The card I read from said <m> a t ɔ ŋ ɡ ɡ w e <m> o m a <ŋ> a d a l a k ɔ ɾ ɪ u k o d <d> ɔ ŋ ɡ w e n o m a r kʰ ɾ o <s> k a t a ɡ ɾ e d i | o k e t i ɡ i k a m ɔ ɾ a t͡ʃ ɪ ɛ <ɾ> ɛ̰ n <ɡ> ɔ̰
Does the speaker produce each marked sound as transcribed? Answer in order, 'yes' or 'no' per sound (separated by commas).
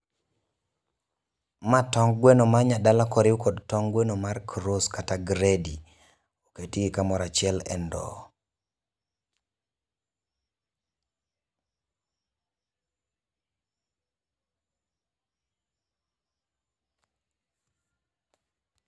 yes, no, no, no, yes, no, no